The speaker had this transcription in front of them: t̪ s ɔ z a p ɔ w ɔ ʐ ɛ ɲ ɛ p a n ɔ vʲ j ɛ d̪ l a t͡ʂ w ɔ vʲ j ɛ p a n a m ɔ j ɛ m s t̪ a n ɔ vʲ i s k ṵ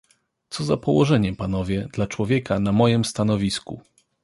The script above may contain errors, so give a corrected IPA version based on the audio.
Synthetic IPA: t̪ s ɔ z a p ɔ w ɔ ʐ ɛ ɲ ɛ p a n ɔ vʲ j ɛ d̪ l a t͡ʂ w ɔ vʲ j ɛ k a n a m ɔ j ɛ m s t̪ a n ɔ vʲ i s k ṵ